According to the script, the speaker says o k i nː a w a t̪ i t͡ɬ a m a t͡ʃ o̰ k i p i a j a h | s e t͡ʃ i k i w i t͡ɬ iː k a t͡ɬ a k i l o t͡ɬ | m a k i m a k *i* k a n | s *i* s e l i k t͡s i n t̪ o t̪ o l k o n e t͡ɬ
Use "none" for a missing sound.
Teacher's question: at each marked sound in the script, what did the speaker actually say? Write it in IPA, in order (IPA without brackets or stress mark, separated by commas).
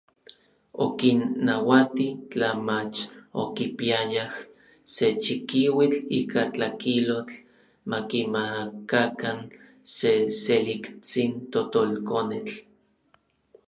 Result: a, e